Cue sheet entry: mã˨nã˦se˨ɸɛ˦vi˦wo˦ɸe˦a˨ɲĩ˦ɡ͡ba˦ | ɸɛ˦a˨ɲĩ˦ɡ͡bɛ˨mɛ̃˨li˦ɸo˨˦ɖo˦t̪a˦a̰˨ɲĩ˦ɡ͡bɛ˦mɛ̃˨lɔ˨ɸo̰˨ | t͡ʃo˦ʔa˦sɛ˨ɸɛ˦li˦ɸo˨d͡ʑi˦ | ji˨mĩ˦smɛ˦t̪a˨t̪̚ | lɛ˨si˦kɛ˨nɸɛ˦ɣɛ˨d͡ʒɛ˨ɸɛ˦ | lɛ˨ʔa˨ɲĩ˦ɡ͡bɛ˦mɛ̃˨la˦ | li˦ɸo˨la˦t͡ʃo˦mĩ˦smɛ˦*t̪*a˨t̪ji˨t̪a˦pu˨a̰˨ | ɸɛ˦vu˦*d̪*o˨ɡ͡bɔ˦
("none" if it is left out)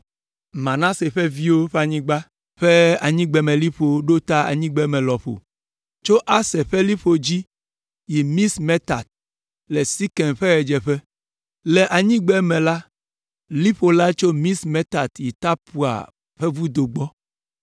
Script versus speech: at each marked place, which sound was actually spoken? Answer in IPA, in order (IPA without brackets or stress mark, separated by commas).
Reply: t̪, d̪